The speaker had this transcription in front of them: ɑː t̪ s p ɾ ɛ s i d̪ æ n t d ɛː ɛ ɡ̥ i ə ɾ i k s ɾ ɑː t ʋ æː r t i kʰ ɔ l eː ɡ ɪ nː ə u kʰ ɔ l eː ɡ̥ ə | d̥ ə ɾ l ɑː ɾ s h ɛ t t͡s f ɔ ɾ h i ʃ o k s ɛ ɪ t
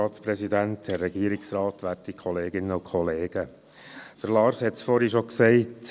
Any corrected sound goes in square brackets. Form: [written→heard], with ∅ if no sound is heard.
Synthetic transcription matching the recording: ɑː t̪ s p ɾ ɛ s i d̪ æ n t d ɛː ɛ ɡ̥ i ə ɾ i k s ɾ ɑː t ʋ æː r t i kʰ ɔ l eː ɡ ɪ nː ə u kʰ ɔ l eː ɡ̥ ə | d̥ ə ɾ l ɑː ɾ s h ɛ t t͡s f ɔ ɾ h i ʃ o k s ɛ ɪ t